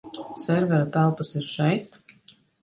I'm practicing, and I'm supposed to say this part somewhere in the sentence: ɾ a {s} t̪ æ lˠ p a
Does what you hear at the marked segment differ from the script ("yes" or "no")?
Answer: yes